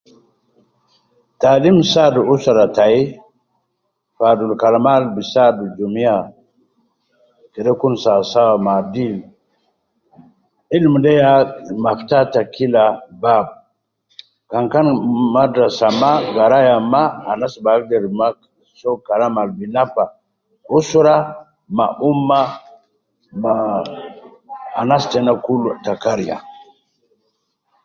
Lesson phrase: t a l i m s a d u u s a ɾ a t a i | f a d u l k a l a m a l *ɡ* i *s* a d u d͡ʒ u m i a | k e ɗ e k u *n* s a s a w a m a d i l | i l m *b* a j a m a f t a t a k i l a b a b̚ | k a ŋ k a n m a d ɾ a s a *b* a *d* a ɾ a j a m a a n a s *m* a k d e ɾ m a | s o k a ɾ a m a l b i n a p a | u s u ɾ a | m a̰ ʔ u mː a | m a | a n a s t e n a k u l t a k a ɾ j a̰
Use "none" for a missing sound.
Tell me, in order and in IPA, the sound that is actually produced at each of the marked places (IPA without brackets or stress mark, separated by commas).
b, s, n, d, m, ɡ, b